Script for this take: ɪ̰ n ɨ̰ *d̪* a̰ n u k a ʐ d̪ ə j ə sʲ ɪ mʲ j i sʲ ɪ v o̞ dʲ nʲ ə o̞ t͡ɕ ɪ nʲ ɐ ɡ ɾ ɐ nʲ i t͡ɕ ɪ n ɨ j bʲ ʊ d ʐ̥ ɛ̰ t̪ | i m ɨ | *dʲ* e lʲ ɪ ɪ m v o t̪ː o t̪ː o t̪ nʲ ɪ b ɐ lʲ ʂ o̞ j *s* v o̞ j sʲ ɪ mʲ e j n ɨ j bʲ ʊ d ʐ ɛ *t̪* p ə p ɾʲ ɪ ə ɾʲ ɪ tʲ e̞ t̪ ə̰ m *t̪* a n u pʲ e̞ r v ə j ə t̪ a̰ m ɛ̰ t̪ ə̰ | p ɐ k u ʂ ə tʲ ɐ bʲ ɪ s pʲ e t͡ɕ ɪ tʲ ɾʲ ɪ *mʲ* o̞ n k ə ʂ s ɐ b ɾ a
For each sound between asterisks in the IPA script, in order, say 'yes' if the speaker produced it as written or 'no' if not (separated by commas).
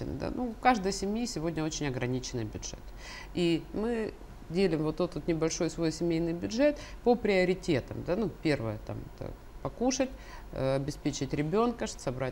yes, yes, yes, yes, no, no